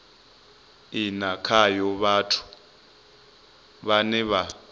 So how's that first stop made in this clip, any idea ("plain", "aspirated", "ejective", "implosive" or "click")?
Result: aspirated